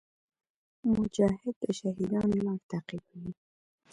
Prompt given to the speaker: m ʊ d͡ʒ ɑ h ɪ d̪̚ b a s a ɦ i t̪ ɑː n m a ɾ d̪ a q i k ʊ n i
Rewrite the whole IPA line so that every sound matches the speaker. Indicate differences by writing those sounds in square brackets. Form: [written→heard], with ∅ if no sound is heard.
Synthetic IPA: m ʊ d͡ʒ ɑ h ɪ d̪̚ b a [s→ʃ] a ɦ i [t̪→d̪] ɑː n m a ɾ [d̪→t̪] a q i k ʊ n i